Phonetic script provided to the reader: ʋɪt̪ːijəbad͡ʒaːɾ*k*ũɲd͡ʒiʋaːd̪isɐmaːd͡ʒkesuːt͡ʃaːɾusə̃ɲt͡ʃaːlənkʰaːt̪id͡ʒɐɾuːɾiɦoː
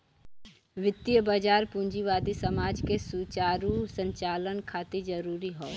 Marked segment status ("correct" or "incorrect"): incorrect